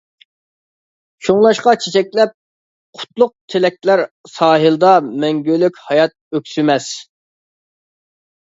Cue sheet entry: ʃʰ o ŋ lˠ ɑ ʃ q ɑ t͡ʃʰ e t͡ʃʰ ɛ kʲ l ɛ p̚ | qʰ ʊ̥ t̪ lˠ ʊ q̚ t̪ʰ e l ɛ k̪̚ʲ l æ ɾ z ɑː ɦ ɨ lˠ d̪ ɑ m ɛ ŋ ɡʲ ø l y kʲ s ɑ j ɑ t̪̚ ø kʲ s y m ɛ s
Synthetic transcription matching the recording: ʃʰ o ŋ lˠ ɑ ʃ q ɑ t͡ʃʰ e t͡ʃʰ ɛ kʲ l ɛ p̚ | qʰ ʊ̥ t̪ lˠ ʊ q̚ t̪ʰ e l ɛ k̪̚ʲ l æ ɾ s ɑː ɦ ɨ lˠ d̪ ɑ m ɛ ŋ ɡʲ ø l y kʲ h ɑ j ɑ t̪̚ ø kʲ s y m ɛ s